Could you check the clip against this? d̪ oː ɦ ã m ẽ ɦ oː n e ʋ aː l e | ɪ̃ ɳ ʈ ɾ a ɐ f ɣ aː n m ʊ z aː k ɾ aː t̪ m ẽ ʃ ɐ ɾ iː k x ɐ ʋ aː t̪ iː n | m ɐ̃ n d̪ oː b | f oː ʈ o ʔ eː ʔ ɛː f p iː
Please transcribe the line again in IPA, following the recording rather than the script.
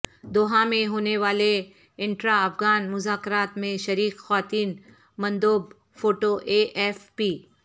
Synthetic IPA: d̪ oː ɦ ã m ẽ ɦ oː n e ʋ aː l e | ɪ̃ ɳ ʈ ɾ a ɐ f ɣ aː n m ʊ z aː k ɾ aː t̪ m ẽ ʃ ɐ ɾ iː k x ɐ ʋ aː t̪ iː n | m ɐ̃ n d̪ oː b | f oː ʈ o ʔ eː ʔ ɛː f p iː